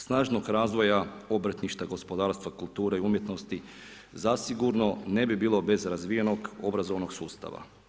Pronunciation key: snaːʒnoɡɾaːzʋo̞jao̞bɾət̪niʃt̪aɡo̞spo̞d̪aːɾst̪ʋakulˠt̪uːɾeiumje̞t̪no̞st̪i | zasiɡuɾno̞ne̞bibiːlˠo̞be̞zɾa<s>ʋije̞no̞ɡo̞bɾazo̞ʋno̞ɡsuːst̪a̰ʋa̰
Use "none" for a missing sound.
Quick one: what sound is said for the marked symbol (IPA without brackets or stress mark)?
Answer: z